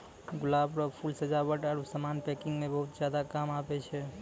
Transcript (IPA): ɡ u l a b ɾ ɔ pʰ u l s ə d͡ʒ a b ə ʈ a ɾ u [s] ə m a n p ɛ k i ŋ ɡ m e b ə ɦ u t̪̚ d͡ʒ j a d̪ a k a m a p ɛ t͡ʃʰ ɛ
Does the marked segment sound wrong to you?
no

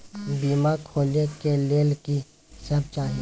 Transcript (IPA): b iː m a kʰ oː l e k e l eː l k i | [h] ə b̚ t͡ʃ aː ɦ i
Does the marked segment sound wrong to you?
yes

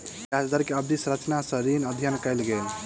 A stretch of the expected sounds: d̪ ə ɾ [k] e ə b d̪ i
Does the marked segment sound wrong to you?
no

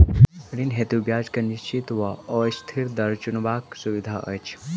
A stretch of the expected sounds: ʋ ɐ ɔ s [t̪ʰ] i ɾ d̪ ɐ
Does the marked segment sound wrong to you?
no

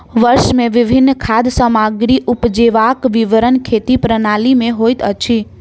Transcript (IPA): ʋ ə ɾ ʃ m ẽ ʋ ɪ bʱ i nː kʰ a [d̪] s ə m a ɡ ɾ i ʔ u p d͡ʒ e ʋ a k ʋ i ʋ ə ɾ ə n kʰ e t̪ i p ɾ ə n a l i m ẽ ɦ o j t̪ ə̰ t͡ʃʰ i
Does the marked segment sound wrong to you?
no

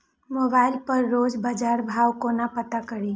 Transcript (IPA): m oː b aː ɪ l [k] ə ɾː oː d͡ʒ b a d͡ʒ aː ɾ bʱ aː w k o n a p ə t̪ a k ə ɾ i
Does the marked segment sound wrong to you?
yes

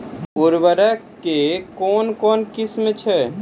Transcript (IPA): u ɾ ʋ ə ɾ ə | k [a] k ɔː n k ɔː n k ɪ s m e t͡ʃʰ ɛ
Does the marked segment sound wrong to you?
yes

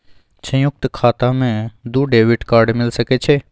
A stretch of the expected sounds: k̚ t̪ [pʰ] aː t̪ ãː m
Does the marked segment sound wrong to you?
yes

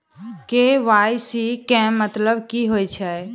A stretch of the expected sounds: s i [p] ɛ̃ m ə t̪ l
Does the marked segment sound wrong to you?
yes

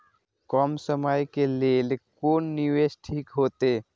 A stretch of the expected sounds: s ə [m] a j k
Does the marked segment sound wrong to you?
no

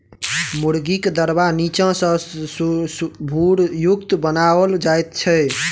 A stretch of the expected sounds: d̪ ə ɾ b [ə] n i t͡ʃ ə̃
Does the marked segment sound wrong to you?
yes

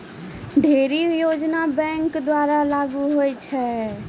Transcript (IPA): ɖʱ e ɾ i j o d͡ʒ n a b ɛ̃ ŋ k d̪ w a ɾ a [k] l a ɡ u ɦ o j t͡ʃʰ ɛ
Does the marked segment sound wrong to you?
yes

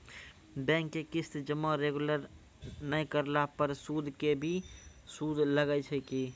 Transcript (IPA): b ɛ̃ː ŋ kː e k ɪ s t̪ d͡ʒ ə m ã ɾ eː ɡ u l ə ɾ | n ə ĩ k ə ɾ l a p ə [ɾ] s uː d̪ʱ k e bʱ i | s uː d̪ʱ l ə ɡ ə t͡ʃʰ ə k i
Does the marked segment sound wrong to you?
no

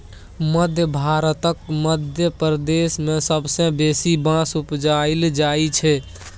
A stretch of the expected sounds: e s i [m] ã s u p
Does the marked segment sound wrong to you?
yes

